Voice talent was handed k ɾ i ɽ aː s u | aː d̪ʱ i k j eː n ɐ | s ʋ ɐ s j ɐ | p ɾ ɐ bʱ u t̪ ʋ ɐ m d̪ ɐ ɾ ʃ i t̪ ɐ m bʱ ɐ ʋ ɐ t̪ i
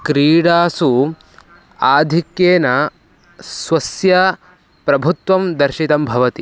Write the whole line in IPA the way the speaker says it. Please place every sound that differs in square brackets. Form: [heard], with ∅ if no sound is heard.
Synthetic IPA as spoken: k ɾ [iː] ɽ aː s u | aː d̪ʱ i k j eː n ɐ | s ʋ ɐ s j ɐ | p ɾ ɐ bʱ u t̪ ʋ ɐ m d̪ ɐ ɾ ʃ i t̪ ɐ m bʱ ɐ ʋ ɐ t̪ i

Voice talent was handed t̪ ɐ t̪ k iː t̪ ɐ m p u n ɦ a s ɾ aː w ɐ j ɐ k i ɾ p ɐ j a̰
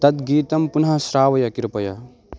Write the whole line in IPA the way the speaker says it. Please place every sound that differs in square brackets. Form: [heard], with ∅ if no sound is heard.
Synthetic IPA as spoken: t̪ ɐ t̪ [ɡ] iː t̪ ɐ m p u n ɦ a s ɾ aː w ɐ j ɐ k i ɾ p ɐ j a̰

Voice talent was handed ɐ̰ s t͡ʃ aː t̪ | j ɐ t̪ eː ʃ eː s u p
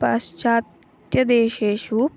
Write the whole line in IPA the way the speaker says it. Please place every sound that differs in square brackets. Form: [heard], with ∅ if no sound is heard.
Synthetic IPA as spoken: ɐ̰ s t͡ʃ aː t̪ | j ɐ [d̪] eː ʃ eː [ʃ] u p

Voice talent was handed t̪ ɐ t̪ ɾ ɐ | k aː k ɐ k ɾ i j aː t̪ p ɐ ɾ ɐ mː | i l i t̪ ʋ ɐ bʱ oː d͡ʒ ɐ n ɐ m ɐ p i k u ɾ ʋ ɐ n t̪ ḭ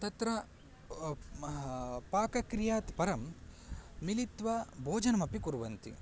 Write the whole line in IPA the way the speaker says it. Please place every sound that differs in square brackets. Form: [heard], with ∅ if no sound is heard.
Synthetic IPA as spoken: t̪ ɐ t̪ ɾ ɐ | [p] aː k ɐ k ɾ i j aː t̪ p ɐ ɾ ɐ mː | i l i t̪ ʋ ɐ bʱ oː d͡ʒ ɐ n ɐ m ɐ p i k u ɾ ʋ ɐ n t̪ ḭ

